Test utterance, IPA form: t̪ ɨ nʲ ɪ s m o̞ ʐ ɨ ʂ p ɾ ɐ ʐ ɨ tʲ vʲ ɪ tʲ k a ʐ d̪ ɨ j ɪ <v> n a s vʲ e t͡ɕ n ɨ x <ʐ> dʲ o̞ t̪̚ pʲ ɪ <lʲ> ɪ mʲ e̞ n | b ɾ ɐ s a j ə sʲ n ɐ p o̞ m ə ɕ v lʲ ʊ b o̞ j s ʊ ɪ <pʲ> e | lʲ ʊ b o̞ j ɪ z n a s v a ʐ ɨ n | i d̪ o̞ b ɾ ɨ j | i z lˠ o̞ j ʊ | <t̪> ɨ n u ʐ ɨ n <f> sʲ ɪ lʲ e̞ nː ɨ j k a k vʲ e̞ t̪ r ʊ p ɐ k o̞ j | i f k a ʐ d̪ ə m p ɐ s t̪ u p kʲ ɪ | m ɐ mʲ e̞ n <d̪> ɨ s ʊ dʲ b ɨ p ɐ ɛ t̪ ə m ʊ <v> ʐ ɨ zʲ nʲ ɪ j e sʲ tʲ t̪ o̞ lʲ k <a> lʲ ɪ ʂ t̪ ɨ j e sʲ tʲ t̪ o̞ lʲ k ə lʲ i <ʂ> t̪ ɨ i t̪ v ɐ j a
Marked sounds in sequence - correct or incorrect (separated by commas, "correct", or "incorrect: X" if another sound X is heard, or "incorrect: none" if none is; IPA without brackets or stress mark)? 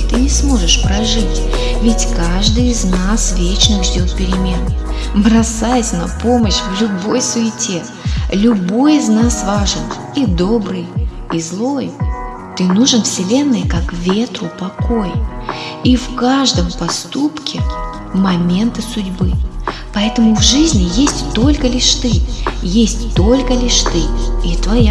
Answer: incorrect: z, correct, incorrect: ɾʲ, incorrect: tʲ, correct, correct, incorrect: t̪, correct, incorrect: ə, correct